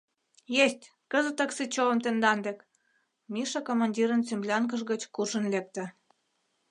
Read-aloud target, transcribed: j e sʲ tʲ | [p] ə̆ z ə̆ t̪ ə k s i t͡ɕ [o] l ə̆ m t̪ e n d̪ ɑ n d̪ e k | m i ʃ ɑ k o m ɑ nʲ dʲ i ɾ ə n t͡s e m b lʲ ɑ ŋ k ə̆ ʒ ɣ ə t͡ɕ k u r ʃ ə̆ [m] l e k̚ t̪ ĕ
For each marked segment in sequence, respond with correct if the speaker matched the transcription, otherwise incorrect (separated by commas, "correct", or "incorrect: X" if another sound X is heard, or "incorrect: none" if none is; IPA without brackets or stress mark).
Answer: incorrect: k, correct, incorrect: n